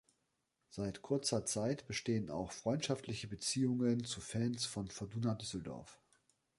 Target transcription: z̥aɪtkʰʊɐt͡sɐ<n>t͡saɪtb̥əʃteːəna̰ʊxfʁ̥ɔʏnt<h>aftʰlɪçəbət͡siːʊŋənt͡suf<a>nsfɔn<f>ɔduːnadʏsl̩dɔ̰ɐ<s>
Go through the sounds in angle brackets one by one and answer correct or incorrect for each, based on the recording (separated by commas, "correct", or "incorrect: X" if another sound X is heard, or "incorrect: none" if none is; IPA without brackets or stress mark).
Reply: incorrect: none, incorrect: ʃ, incorrect: ɛ, correct, incorrect: f